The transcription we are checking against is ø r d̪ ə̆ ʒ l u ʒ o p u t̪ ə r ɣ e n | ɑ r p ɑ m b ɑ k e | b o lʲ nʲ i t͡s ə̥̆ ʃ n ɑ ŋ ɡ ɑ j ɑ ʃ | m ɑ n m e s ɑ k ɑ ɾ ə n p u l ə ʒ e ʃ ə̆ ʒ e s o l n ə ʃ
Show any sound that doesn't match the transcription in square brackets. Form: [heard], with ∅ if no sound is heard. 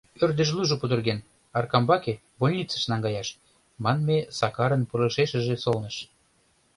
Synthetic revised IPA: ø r d̪ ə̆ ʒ l u ʒ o p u [d̪] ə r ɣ e n | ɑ r [k] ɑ m b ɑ k e | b o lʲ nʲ i t͡s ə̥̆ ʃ n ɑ ŋ ɡ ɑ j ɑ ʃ | m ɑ n m e s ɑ k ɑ ɾ ə n p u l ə [ʃ] e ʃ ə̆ ʒ e s o l n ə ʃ